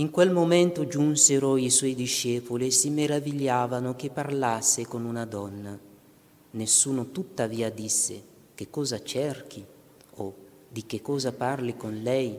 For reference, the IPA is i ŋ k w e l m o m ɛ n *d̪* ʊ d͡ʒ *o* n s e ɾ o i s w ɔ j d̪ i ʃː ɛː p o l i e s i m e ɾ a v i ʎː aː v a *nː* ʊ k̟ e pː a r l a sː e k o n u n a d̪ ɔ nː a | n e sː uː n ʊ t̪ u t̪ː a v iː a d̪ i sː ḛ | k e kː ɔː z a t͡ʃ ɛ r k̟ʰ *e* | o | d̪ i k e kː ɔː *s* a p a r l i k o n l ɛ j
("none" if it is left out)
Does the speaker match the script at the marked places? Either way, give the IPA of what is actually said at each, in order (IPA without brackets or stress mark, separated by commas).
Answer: t̪, u, n, i, z